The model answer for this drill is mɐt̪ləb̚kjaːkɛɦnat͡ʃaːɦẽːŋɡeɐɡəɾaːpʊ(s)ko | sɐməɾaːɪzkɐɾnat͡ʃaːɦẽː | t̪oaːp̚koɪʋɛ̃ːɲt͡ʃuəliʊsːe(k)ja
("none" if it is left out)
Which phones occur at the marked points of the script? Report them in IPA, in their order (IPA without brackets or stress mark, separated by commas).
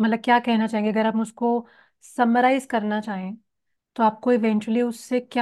s, k